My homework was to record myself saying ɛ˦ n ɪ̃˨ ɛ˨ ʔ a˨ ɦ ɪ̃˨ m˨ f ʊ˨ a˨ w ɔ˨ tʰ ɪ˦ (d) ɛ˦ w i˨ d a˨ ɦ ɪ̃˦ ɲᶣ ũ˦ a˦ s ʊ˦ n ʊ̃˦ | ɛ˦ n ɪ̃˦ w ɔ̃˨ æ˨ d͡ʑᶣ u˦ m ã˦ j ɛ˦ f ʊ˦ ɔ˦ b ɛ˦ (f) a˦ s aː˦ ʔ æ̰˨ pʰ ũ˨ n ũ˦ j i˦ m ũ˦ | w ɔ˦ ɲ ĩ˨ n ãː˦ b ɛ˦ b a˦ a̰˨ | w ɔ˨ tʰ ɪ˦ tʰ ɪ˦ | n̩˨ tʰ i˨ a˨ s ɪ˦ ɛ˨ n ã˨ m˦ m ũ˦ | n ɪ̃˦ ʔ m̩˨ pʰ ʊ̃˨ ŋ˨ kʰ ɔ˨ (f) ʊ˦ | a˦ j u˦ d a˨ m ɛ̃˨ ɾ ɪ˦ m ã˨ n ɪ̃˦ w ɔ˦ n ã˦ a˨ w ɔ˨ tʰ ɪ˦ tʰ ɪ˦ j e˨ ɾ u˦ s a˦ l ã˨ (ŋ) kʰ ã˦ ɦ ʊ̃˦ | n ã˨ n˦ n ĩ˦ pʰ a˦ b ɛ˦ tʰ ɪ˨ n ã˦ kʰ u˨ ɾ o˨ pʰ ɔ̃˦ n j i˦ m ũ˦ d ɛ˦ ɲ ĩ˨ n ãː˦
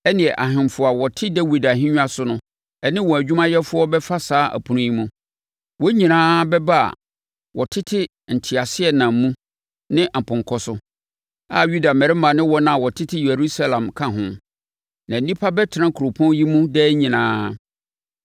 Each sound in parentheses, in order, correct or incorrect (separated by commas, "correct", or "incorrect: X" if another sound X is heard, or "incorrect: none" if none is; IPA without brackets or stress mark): correct, correct, incorrect: s, incorrect: m